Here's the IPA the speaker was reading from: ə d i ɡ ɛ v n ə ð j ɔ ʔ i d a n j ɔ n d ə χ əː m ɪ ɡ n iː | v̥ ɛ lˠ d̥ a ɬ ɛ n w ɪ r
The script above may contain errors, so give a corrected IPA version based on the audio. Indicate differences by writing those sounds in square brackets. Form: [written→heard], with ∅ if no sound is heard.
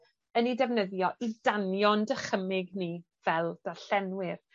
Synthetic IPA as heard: ə [d→n] i [ɡ→d] ɛ v n ə ð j ɔ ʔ i d a n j ɔ n d ə χ [əː→ə] m ɪ ɡ n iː | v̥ ɛ lˠ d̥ a ɬ ɛ n w ɪ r